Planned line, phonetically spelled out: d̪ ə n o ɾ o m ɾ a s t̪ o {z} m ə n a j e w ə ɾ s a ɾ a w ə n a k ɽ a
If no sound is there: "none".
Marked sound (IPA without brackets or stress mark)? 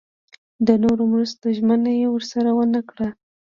ʒ